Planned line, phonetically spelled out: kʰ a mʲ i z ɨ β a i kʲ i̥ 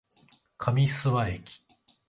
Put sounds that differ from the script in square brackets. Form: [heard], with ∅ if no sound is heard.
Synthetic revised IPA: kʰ a mʲ i [s] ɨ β a [e] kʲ i̥